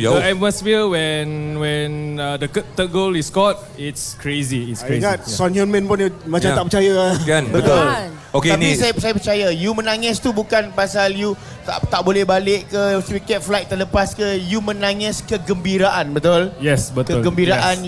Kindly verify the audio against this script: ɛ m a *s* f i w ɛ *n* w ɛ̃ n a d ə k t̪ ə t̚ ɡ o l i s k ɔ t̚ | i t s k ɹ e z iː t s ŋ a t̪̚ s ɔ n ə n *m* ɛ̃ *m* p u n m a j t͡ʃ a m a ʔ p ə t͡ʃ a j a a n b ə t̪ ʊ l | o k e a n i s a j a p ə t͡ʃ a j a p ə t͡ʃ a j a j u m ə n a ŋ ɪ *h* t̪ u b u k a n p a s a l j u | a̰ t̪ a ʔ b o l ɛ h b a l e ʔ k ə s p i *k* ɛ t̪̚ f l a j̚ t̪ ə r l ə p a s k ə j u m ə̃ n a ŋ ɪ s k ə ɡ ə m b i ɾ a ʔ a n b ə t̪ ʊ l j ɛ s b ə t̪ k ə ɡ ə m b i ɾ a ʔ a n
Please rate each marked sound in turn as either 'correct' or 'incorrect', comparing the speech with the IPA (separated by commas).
correct, correct, correct, incorrect, incorrect, correct